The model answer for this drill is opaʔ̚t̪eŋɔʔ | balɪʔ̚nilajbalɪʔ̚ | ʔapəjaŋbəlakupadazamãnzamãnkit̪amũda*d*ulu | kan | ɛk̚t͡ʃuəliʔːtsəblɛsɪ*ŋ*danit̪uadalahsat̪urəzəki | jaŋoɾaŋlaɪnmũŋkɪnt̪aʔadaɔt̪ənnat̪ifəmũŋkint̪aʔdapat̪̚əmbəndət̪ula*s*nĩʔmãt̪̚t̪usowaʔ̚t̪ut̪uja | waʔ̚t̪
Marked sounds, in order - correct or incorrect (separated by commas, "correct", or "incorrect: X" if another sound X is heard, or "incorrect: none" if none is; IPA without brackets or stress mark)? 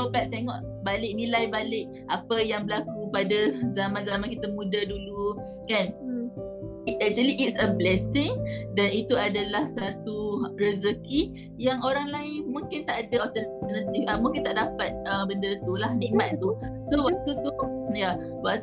correct, correct, incorrect: h